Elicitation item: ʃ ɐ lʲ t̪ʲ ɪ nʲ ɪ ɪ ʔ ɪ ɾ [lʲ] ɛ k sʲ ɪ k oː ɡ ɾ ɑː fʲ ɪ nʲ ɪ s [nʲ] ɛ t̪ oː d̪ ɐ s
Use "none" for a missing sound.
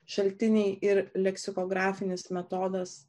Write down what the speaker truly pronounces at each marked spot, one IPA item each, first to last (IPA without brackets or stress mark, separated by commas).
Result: lʲ, mʲ